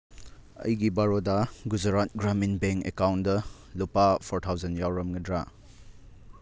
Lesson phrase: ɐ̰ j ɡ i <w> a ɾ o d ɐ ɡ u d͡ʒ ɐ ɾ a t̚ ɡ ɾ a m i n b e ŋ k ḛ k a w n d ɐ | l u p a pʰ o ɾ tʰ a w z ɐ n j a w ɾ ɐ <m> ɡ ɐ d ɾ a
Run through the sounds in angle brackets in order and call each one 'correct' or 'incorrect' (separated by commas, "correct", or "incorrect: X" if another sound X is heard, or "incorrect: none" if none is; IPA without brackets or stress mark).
incorrect: b, correct